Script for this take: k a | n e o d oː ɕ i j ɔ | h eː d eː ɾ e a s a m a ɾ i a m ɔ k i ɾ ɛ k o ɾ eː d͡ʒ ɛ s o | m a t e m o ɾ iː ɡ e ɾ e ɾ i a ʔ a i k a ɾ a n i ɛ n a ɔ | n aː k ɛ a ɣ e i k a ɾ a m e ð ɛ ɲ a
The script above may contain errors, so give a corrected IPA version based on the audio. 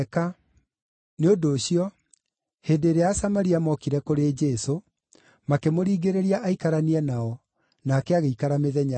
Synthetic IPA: k a | n e o d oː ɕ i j ɔ | h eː d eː ɾ e a s a m a ɾ i a m ɔ k i ɾ ɛ k o ɾ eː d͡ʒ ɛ s o | m a k e m o ɾ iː ɡ e ɾ e ɾ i a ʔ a i k a ɾ a n i ɛ n a ɔ | n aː k ɛ a ɣ e i k a ɾ a m e ð ɛ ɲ a

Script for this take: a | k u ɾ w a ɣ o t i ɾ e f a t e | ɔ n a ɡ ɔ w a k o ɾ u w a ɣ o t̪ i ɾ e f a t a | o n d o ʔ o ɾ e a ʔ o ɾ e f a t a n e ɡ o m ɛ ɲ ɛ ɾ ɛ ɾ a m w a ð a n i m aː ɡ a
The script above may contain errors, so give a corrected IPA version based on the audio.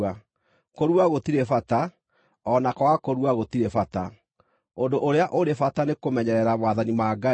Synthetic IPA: a | k o ɾ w a ɣ o t i ɾ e f a t a | ɔ n a k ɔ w a k o ɾ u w a ɣ o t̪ i ɾ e f a t a | o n d o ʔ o ɾ e a ʔ o ɾ e f a t a n e k o m ɛ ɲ ɛ ɾ ɛ ɾ a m w a ð a n i m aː ɡ a

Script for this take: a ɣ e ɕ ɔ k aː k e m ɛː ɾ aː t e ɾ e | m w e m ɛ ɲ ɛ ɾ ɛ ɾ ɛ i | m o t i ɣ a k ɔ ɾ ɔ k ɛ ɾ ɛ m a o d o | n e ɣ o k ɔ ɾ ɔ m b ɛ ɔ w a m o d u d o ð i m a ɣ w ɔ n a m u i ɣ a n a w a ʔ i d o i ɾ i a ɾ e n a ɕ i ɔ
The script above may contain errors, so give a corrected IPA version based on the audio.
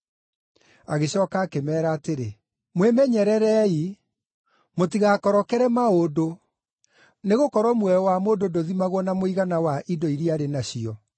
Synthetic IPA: a ɣ e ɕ ɔ k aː k e m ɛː ɾ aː t e ɾ e | m w e m ɛ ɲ ɛ ɾ ɛ ɾ ɛ i | m o t i ɣ a k ɔ ɾ ɔ k ɛ ɾ ɛ m a o d o | n e ɣ o k ɔ ɾ ɔ m w ɛ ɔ w a m o d o d o ð i m a ɣ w ɔ n a m o i ɣ a n a w a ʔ i d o i ɾ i a ɾ e n a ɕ i ɔ

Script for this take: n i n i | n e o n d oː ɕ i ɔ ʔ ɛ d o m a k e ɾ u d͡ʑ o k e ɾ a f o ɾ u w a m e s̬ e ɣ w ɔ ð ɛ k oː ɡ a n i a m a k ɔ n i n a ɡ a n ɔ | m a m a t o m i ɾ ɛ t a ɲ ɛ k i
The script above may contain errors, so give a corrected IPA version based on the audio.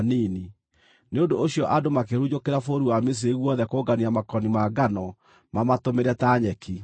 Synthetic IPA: n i n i | n e o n d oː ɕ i ɔ ʔ a d o m a k e ɾ u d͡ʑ o k e ɾ a f o ɾ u w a m e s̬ e ɣ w ɔ ð ɛ k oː ɡ a n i a m a k ɔ n i m a ɡ a n ɔ | m a m a t o m e ɾ ɛ t a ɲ ɛ k i

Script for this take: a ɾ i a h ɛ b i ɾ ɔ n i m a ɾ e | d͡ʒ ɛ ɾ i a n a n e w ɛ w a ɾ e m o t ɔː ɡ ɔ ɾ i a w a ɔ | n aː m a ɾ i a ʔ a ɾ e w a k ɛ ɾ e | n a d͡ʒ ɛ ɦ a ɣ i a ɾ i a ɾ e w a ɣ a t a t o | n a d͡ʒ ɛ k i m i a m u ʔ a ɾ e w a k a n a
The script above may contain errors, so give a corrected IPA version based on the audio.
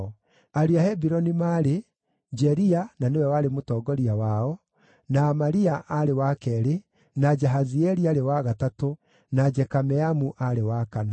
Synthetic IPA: a ɾ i a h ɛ b i ɾ ɔ n i m a ɾ e | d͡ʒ ɛ ɾ i a n a n e w ɛ w a ɾ e m o t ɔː ɡ ɔ ɾ i a w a ɔ | n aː m a ɾ i a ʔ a ɾ e w a k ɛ ɾ e | n a d͡ʒ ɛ ɦ a z i ɛ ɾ i a ɾ e w a ɣ a t a t o | n a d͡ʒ ɛ k a m ɛ a m u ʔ a ɾ e w a k a n a

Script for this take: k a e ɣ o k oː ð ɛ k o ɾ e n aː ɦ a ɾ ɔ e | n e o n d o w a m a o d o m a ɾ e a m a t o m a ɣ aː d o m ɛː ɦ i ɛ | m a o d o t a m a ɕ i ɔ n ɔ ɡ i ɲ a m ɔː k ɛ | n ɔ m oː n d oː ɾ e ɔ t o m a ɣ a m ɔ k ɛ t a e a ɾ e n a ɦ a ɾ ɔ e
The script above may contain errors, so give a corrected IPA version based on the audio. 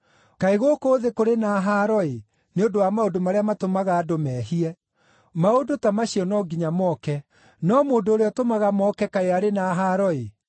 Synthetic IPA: k a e ɣ o k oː ð e k o ɾ e n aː ɦ a ɾ ɔ e | n e o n d o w a m a o d o m a ɾ e a m a t o m a ɣ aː d o m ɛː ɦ i ɛ | m a o d o t a m a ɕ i ɔ n ɔ ɡ i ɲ a m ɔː k ɛ | n ɔ m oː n d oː ɾ e ɔ t o m a ɣ a m ɔ k ɛ k a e a ɾ e n a ɦ a ɾ ɔ e

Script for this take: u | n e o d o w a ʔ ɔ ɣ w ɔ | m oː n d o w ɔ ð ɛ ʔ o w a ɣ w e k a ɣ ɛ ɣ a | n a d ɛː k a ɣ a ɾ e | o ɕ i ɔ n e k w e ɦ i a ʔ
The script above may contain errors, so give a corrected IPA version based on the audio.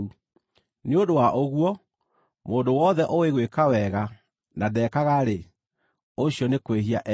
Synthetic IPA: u | n e o d o w a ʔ o ɣ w ɔ | m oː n d o w ɔ ð ɛ ʔ o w e ɣ w e k a w ɛ ɣ a | n a d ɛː k a ɣ a ɾ e | o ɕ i ɔ n e k w e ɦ i a ʔ

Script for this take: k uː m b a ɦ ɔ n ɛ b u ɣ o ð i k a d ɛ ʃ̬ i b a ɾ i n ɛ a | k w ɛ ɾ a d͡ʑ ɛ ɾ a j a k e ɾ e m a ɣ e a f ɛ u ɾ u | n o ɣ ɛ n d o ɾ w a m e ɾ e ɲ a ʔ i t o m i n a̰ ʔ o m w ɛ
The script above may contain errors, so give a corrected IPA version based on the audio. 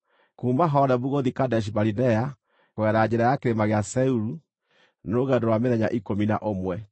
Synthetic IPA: k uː m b a ɦ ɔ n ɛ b u ɣ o ð i k a d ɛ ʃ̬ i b a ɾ i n ɛ a | k w ɛ ɾ a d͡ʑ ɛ ɾ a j a k e ɾ e m a ɣ e a s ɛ u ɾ u | n o ɣ ɛ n d o ɾ w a m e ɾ ɛ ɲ a ʔ i k o m i n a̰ ʔ o m w ɛ

